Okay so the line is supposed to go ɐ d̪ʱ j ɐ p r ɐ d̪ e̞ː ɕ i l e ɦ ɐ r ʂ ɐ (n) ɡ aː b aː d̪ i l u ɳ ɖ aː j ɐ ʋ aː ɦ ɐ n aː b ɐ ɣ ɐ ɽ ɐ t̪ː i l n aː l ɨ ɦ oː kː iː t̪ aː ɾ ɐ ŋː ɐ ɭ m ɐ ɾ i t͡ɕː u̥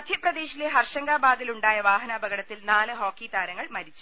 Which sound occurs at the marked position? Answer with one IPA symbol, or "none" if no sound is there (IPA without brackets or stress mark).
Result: ŋ